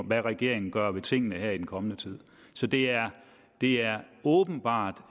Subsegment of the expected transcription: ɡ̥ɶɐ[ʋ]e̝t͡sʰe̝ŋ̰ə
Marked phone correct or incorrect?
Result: correct